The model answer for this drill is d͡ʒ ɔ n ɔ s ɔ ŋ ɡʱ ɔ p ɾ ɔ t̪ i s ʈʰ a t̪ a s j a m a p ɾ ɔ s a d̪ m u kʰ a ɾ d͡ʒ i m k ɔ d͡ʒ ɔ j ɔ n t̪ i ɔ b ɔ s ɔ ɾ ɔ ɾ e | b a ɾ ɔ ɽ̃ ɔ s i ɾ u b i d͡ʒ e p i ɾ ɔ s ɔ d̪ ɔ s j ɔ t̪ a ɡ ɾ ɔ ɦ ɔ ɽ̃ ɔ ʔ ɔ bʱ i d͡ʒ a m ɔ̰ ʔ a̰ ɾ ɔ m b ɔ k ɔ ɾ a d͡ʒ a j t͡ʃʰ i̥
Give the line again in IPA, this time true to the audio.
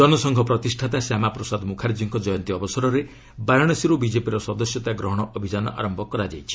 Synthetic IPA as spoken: d͡ʒ ɔ n ɔ s ɔ ŋ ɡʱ ɔ p ɾ ɔ t̪ i s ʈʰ a t̪ a s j a m a p ɾ ɔ s a d̪ m u kʰ a ɾ d͡ʒ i ŋ k ɔ d͡ʒ ɔ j ɔ n t̪ i ɔ b ɔ s ɔ ɾ ɔ ɾ e | b a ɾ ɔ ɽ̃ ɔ s i ɾ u b i d͡ʒ e p i ɾ ɔ s ɔ d̪ ɔ s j ɔ t̪ a ɡ ɾ ɔ ɦ ɔ ɽ̃ ɔ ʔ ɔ bʱ i d͡ʒ a n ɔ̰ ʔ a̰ ɾ ɔ m b ɔ k ɔ ɾ a d͡ʒ a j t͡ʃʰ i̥